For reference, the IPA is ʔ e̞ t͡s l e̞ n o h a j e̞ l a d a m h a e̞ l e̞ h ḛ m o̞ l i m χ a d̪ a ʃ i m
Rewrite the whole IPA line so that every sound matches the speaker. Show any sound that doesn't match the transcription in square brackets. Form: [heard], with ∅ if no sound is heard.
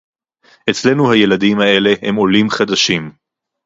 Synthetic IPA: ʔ e̞ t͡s l e̞ n [u] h a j e̞ l a d [i] m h a e̞ l e̞ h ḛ m o̞ l i m χ a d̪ a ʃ i m